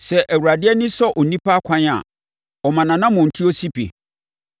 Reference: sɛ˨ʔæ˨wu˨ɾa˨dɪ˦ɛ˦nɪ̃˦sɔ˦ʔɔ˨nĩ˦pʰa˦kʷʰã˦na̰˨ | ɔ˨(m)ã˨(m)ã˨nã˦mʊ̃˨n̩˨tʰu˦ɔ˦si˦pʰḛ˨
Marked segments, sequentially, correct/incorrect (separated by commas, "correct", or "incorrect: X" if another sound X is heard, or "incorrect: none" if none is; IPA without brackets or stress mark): correct, incorrect: n